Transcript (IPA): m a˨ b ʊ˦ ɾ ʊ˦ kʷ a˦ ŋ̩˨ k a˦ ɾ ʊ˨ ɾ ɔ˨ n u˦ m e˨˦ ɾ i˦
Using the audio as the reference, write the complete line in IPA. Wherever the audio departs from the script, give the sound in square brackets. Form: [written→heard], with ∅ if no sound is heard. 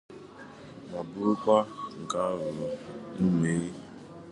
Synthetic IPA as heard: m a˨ b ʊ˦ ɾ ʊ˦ kʷ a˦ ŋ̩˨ k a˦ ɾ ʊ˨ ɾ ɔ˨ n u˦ m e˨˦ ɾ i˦